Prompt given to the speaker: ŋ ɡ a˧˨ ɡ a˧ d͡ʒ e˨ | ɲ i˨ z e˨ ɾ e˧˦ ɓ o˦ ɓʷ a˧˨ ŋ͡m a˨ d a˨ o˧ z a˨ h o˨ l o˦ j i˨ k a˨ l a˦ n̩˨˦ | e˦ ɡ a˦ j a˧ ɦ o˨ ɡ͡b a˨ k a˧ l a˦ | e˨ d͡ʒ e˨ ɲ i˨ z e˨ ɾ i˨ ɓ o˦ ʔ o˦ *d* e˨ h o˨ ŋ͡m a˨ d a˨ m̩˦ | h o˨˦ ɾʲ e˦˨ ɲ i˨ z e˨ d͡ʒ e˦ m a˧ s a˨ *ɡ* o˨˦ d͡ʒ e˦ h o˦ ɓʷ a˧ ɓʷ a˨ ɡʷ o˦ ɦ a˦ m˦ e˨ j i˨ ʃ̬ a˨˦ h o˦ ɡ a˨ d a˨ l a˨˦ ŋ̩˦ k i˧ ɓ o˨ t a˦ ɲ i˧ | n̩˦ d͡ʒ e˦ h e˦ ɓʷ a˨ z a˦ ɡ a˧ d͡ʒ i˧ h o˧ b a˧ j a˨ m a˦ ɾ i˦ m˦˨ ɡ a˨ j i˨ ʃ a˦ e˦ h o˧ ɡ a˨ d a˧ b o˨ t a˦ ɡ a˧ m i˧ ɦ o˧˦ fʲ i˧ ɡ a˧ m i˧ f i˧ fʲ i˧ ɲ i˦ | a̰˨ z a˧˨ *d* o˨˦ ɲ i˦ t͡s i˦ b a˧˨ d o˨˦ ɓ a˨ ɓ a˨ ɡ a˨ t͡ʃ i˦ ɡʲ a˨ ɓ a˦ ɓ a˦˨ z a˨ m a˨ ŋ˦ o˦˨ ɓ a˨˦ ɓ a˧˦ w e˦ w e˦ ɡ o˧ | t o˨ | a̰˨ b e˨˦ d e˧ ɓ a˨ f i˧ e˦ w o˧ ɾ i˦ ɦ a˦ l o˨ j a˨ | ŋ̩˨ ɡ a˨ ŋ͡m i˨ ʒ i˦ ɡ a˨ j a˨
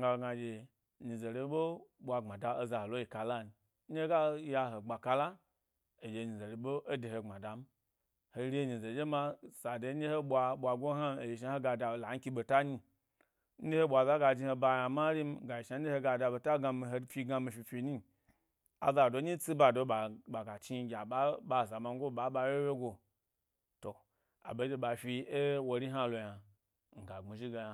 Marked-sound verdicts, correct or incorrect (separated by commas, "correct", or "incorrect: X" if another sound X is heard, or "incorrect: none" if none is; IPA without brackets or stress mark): correct, incorrect: d, correct